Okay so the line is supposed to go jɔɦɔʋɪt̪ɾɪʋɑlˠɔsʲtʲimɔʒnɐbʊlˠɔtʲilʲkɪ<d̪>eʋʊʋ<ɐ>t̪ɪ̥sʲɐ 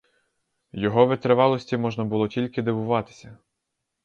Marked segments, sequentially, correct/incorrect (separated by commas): correct, incorrect